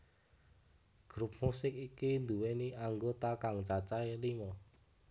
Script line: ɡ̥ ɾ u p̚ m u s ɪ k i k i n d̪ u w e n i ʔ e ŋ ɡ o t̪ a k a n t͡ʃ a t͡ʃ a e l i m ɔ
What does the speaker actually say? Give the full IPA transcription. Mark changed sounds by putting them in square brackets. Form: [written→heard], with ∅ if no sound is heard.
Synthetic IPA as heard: ɡ̥ ɾ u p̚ m u s ɪ k i k i n d̪ u w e n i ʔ [e→a] ŋ ɡ o t̪ a k a [n→ŋ] t͡ʃ a t͡ʃ a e l i m ɔ